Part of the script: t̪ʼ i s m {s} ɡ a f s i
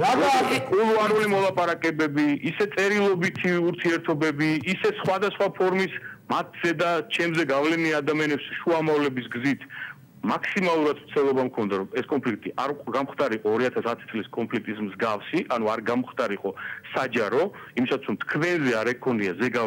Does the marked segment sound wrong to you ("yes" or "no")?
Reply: yes